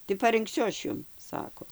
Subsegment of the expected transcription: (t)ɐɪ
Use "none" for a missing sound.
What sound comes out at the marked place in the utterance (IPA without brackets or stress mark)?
t